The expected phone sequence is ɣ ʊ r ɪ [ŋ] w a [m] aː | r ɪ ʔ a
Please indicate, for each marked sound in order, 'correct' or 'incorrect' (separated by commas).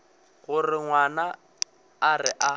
correct, incorrect